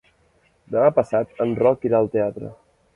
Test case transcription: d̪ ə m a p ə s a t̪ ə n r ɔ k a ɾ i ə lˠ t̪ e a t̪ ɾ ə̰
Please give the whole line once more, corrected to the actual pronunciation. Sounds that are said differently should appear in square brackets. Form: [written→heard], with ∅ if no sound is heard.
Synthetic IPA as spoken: d̪ ə m a p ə s a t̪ ə n r ɔ k [a→i] ɾ [i→a] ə lˠ t̪ e a t̪ ɾ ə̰

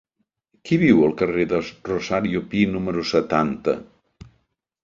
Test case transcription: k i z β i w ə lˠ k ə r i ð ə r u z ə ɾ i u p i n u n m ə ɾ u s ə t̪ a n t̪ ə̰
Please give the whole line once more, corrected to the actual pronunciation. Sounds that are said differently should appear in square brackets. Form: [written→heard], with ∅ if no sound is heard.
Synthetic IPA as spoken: k i [z→∅] β i w ə lˠ k ə r [i→e] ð ə r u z [ə→a] ɾ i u p i n u [n→∅] m ə ɾ u s ə t̪ a n t̪ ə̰

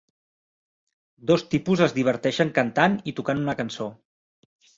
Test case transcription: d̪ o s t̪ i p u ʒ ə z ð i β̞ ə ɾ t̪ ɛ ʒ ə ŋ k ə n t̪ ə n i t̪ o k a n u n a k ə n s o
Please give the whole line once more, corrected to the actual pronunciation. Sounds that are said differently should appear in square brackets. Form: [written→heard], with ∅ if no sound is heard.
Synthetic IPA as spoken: d̪ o s t̪ i p u [ʒ→z] ə z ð i β̞ ə ɾ t̪ ɛ [ʒ→ʃ] ə ŋ k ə n t̪ [ə→a] n i t̪ [o→u] k a n u n [a→ə] k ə n s o

